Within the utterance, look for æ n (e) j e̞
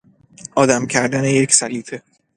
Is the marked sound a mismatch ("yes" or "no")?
no